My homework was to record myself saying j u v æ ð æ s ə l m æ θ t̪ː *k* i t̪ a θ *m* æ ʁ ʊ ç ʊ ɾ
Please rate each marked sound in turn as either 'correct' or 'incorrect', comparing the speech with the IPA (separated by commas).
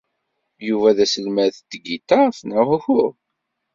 incorrect, incorrect